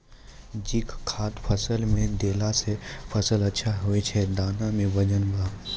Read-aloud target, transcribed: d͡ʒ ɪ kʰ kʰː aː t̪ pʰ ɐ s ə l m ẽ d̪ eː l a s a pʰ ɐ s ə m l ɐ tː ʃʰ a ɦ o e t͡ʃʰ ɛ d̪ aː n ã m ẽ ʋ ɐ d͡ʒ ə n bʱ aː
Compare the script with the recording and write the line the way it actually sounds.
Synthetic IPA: d͡ʒ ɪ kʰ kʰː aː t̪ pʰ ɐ s ə l m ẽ d̪ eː l a s e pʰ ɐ s ə l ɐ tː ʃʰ a ɦ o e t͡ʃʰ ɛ d̪ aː n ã m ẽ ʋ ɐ d͡ʒ ə n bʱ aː